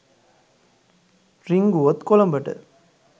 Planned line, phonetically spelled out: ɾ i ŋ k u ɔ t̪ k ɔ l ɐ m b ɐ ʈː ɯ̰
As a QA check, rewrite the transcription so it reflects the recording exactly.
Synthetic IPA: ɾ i ŋ ɡ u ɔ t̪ k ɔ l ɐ m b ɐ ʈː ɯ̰